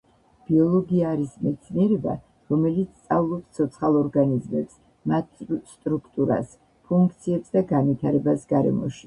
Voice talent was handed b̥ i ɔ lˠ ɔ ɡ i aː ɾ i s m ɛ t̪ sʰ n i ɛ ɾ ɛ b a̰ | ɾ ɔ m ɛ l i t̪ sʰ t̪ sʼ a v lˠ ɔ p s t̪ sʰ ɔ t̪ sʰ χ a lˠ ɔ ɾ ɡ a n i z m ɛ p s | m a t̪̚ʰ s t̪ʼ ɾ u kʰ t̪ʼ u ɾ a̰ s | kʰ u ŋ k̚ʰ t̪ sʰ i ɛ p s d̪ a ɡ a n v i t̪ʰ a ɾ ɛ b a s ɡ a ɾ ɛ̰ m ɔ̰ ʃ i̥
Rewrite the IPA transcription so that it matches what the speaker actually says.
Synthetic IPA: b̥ i ɔ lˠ ɔ ɡ i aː ɾ i s m ɛ t̪ sʰ n i ɛ ɾ ɛ b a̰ | ɾ ɔ m ɛ l i t̪ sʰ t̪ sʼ a v lˠ ɔ p s t̪ sʰ ɔ t̪ sʰ χ a lˠ ɔ ɾ ɡ a n i z m ɛ p s | m a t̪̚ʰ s t̪ʼ ɾ u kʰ t̪ʼ u ɾ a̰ s | pʰ u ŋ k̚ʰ t̪ sʰ i ɛ p s d̪ a ɡ a n v i t̪ʰ a ɾ ɛ b a s ɡ a ɾ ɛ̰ m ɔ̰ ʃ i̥